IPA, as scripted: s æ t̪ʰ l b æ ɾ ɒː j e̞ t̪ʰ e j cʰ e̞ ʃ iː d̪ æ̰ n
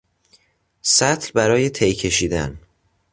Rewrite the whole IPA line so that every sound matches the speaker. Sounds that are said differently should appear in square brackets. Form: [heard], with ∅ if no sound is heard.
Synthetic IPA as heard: s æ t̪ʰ l b æ ɾ ɒː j e̞ t̪ʰ e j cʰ e̞ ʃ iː d̪ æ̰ n